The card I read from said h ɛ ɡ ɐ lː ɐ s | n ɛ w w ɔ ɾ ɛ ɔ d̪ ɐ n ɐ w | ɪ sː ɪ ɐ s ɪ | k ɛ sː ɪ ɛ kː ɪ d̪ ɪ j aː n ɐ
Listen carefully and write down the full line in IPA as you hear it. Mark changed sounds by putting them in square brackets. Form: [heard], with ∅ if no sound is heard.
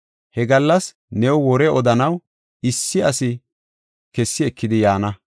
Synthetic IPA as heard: h ɛ ɡ ɐ lː ɐ s | n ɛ w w ɔ ɾ ɛ ɔ d̪ ɐ n ɐ w | ɪ sː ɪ ɐ s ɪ | k ɛ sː ɪ ɛ kː ɪ d̪ ɪ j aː n ɐ